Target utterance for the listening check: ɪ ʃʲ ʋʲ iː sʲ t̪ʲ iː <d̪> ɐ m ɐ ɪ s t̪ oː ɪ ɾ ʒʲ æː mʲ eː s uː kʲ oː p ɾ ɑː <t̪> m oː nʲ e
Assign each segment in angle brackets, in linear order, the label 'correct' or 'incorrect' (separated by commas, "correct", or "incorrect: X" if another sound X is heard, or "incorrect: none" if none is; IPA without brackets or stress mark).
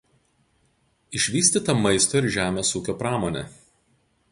incorrect: t̪, incorrect: none